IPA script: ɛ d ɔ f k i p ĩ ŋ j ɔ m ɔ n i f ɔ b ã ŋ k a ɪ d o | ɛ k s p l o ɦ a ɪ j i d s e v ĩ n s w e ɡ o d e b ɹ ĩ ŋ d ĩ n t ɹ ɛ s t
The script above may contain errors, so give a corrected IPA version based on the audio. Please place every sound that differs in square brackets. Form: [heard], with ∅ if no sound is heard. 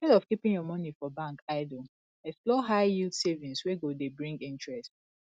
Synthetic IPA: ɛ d ɔ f k i p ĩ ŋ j ɔ m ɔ n i f ɔ b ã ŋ k a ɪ d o | ɛ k s p l [ɔ] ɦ a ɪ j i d s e v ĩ n s w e ɡ o d e b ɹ ĩ ŋ [ɡ] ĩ n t ɹ ɛ s t